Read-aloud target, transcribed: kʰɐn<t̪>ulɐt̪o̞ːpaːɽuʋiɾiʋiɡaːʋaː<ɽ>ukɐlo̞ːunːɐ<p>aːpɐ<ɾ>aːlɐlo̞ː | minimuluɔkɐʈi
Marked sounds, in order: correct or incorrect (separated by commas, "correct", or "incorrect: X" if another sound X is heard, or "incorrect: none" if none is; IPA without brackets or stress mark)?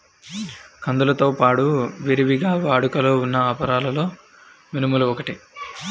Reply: incorrect: d̪, correct, incorrect: none, correct